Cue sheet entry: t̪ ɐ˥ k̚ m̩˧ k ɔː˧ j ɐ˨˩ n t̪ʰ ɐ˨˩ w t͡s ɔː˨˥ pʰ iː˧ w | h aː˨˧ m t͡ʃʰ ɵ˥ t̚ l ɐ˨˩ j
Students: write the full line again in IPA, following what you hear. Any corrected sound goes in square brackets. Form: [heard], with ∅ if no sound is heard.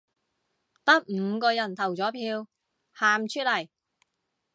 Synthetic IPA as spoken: t̪ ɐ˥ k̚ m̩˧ k ɔː˧ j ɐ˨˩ n t̪ʰ ɐ˨˩ w t͡s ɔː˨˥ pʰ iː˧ w | h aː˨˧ m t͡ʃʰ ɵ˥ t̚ l ɐ˨˩ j